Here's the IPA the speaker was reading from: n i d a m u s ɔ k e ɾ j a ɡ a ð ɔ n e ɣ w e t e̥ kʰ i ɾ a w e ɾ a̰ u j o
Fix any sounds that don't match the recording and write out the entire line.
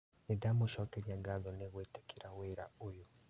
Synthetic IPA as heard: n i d a m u ʃ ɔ k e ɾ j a ɡ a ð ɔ n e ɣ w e t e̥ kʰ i ɾ a w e ɾ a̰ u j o